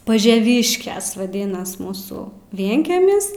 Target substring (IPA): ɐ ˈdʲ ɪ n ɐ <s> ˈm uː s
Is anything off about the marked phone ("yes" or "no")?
no